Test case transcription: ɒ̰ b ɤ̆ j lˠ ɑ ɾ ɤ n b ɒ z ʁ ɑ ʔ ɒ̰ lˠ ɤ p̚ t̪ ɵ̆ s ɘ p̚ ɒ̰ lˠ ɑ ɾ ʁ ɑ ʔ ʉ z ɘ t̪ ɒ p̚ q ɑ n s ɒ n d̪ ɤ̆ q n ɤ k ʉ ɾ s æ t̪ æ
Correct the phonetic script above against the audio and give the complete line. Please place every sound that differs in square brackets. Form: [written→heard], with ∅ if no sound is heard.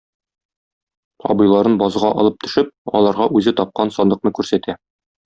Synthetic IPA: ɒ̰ b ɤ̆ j lˠ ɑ ɾ ɤ n b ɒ z ʁ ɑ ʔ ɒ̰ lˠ ɤ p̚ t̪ ɵ̆ [s→ʃ] ɘ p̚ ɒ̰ lˠ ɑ ɾ ʁ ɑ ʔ ʉ z ɘ t̪ ɒ p̚ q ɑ n s ɒ n d̪ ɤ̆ q n ɤ k ʉ ɾ s æ t̪ æ